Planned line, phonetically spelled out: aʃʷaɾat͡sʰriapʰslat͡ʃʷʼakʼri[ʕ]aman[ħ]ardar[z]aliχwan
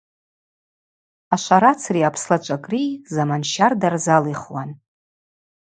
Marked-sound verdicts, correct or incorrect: incorrect: z, incorrect: ʃ, correct

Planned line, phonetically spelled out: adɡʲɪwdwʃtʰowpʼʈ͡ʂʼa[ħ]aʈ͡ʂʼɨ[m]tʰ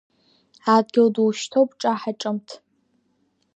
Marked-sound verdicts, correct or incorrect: correct, correct

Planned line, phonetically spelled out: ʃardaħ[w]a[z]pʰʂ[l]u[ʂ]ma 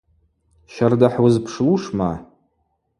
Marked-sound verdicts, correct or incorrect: correct, correct, correct, correct

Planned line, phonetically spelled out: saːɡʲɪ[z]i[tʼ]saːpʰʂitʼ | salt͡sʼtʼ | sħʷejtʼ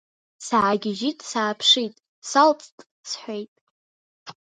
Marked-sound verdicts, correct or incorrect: incorrect: ʒ, correct

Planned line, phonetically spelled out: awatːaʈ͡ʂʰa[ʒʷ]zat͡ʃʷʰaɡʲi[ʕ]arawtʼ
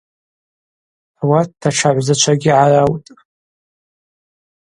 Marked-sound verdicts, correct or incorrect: incorrect: ʕʷ, correct

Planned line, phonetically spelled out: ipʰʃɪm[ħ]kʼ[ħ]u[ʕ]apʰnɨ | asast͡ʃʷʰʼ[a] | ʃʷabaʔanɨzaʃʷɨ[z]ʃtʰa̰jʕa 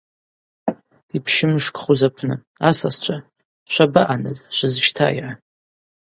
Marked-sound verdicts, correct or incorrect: incorrect: ʂ, incorrect: χ, incorrect: z, correct, correct

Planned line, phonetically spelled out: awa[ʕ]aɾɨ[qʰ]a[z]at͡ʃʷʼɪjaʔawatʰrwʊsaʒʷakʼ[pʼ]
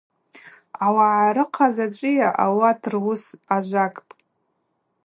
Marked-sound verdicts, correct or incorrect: correct, correct, correct, correct

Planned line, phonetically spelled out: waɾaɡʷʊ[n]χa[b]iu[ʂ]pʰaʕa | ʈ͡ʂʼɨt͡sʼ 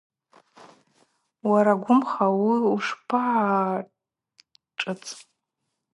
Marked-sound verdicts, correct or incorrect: incorrect: m, incorrect: w, correct

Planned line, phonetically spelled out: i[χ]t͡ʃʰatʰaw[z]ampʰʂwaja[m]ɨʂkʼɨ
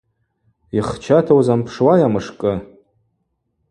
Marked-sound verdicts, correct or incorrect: correct, correct, correct

